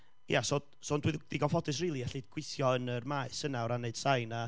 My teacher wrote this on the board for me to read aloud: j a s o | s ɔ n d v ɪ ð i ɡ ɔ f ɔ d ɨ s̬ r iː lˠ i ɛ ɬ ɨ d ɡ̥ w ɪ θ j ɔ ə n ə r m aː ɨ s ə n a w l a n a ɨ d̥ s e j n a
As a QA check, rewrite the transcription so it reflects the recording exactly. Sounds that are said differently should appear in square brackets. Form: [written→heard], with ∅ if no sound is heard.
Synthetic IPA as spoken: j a s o | s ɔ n d [v→w] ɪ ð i ɡ ɔ f ɔ d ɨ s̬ r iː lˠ i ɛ ɬ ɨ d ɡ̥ w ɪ θ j ɔ ə n ə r m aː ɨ s ə n a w [l→ɾ] a n [a→e] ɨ d̥ s [e→a] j n a